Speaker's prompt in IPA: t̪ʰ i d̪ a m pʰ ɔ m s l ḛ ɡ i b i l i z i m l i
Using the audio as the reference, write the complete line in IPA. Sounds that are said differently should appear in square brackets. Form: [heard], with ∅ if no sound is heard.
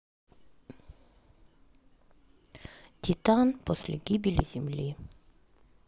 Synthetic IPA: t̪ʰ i [t̪] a [n] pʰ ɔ [∅] s l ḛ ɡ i b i l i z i m l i

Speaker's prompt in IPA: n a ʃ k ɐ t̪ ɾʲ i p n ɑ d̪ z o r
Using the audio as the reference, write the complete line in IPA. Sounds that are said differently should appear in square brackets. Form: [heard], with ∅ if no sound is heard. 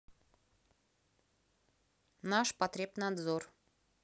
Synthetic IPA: n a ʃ [p] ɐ t̪ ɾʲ [e] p n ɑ d̪ z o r

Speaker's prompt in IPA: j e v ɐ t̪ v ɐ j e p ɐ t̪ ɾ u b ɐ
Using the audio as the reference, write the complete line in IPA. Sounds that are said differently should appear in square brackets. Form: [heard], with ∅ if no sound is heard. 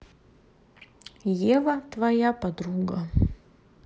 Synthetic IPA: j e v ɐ t̪ v ɐ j [a] p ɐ [d̪] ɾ u [ɡ] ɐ

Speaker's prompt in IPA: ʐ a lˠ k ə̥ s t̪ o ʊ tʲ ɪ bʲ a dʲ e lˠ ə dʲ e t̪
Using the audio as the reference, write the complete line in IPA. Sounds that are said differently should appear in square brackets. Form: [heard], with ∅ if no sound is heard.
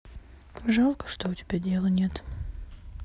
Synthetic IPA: ʐ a lˠ k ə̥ [ʂ] t̪ o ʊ tʲ ɪ bʲ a dʲ e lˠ ə [nʲ] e t̪

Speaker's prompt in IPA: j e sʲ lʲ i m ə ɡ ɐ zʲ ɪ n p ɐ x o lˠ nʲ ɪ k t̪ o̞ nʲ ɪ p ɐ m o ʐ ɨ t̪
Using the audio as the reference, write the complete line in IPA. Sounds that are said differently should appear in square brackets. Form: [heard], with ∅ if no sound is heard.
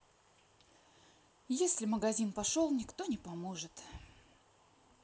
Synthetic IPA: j e sʲ lʲ [ɪ] m ə ɡ ɐ zʲ [i] n p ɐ [ʂ] o lˠ nʲ ɪ k t̪ o̞ nʲ ɪ p ɐ m o ʐ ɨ t̪

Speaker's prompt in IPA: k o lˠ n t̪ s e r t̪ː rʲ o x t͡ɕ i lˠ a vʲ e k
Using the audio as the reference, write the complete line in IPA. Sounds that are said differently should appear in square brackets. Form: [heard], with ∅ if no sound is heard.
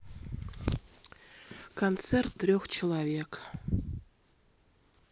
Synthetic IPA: k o [∅] n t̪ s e r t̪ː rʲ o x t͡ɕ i lˠ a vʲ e k

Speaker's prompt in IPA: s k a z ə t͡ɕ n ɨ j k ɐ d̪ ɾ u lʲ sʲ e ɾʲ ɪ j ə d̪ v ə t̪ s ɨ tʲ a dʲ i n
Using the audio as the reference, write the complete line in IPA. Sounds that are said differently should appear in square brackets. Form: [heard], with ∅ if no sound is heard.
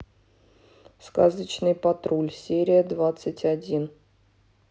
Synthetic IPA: s k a z ə t͡ɕ n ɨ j [p] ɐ [t̪] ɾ u lʲ sʲ e ɾʲ ɪ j ə d̪ v [a] t̪ s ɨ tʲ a dʲ i n

